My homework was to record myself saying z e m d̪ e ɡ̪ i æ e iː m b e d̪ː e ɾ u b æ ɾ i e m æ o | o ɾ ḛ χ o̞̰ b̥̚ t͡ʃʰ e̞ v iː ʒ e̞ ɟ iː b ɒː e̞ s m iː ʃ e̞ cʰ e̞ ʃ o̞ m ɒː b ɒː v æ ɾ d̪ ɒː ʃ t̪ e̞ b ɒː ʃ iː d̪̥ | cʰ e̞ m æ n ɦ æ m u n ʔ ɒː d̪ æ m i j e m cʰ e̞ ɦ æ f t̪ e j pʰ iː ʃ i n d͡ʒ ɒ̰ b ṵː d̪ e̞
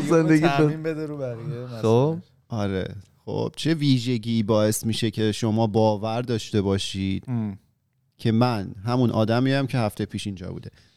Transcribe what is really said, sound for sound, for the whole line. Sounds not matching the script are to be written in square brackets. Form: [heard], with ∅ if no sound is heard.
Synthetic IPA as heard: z e [n] d̪ e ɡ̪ i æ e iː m b e [d̪] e ɾ u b æ ɾ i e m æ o | [ɒ] ɾ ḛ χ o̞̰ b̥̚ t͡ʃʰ e̞ v iː ʒ e̞ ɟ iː b ɒː e̞ s m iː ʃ e̞ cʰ e̞ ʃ o̞ m ɒː b ɒː v æ ɾ d̪ ɒː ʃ t̪ e̞ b ɒː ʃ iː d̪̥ | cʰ e̞ m æ n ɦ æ m u n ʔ ɒː d̪ æ m i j [æ] m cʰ e̞ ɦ æ f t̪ e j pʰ iː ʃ i n d͡ʒ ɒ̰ b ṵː d̪ e̞